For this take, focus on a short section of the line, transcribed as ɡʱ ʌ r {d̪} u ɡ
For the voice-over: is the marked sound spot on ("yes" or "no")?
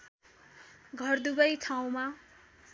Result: yes